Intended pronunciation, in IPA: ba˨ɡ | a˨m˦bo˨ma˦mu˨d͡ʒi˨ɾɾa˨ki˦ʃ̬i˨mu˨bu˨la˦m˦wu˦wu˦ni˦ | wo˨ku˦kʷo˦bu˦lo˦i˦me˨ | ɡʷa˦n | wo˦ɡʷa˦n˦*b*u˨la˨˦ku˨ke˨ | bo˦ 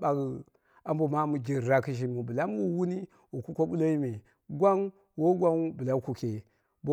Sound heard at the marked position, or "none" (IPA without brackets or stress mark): b